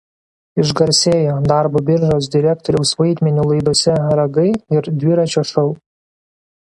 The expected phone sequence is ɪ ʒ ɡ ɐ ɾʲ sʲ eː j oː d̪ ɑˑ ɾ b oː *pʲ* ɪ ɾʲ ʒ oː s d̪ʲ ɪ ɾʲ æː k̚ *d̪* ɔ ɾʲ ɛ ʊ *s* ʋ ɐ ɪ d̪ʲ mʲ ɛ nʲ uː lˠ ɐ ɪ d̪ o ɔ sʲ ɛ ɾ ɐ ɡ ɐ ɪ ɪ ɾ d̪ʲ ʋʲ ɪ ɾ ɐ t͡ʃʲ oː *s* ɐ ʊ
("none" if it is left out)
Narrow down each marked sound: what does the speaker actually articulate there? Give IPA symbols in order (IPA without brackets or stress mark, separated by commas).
bʲ, t̪, s, ʃ